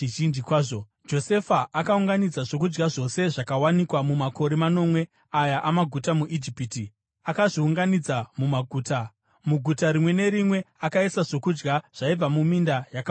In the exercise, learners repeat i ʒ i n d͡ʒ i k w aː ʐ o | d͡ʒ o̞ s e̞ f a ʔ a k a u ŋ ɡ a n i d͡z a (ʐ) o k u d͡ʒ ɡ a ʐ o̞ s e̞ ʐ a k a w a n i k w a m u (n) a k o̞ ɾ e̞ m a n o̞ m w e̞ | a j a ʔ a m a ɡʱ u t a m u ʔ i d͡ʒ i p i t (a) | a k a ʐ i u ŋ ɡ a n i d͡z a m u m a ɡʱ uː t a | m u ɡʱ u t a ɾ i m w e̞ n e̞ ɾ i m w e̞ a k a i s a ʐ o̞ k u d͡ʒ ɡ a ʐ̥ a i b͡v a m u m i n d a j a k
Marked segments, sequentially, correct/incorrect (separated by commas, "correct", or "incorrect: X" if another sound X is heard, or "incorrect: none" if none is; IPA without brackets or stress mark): correct, incorrect: m, incorrect: i